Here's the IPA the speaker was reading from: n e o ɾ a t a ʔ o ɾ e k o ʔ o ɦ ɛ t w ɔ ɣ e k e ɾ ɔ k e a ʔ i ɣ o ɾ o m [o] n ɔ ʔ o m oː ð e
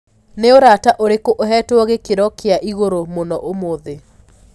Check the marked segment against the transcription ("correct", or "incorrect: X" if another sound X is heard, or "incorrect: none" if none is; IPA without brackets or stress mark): correct